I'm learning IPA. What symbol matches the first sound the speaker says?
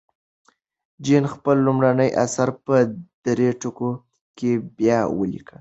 d͡ʒ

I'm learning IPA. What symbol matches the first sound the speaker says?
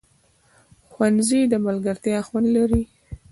x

